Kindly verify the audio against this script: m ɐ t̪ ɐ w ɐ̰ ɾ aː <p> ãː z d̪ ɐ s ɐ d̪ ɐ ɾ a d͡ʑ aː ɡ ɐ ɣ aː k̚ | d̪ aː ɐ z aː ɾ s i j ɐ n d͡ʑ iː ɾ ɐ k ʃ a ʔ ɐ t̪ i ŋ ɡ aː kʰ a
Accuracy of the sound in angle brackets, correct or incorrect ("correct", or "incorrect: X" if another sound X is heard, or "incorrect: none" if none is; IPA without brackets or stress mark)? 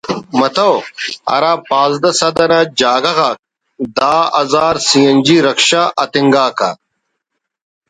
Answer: correct